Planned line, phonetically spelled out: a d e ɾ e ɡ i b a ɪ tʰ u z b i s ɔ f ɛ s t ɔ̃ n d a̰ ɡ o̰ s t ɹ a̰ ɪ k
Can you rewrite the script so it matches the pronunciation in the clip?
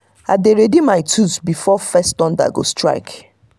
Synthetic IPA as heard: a d e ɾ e d i m a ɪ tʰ u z b i f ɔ f ɛ s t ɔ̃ n d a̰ ɡ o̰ s t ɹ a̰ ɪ k